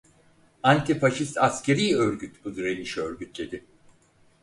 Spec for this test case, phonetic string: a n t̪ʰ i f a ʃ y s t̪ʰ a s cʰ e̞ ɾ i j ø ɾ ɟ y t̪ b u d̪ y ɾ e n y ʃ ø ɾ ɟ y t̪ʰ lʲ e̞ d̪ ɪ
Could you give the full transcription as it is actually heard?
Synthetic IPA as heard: a n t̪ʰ i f a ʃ i s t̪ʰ a s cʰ e̞ ɾ i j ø ɾ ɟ y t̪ b u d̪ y ɾ e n i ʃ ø ɾ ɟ y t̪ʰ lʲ e̞ d̪ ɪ